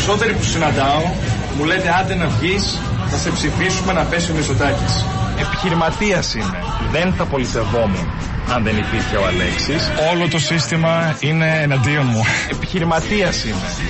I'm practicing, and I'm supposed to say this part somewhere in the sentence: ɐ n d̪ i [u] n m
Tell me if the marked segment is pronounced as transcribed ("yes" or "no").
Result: no